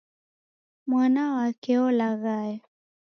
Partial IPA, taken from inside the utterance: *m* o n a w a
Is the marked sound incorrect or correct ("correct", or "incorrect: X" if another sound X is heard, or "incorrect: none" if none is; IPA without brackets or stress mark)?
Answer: correct